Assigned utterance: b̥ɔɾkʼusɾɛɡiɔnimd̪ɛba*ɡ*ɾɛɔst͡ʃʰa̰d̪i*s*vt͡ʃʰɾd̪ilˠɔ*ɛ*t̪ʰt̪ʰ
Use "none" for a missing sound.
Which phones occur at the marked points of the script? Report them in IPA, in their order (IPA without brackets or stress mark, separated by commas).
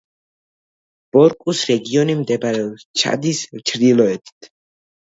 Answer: none, s, ɛ